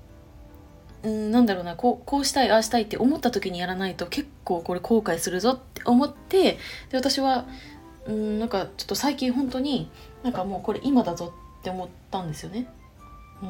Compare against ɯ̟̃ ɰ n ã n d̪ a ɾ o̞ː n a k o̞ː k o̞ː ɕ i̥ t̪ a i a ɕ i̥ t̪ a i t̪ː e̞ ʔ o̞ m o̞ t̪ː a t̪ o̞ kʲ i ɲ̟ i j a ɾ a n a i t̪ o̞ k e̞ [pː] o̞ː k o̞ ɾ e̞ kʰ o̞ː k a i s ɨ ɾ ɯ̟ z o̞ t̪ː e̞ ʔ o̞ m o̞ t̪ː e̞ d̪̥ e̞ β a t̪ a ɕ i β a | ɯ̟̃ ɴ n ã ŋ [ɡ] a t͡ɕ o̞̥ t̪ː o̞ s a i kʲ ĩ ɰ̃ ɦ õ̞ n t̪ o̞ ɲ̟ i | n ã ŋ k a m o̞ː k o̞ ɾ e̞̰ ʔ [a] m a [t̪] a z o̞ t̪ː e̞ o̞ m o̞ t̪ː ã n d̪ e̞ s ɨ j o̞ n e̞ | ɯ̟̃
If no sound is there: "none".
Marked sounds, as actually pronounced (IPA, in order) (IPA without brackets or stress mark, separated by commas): kː, k, i, d̪